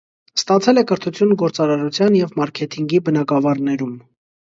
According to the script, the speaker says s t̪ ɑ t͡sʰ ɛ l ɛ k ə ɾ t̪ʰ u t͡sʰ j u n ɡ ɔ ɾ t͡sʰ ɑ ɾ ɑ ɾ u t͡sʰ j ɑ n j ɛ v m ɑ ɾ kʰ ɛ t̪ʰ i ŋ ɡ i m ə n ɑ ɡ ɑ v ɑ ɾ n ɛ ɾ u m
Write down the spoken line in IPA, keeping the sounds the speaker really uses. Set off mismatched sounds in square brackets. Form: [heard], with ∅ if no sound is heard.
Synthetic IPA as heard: s t̪ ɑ t͡sʰ ɛ l ɛ k ə ɾ t̪ʰ u t͡sʰ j u n ɡ ɔ ɾ [t͡s] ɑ ɾ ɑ ɾ u t͡sʰ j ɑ n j ɛ v m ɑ ɾ kʰ ɛ t̪ʰ i ŋ ɡ i [b] ə n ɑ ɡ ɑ v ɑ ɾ n ɛ ɾ u m